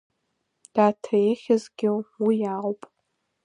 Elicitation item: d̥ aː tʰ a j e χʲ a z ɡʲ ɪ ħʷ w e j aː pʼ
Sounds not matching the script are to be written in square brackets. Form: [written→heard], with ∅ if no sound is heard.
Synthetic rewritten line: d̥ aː tʰ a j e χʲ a z ɡʲ ɪ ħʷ w [e→i] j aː pʼ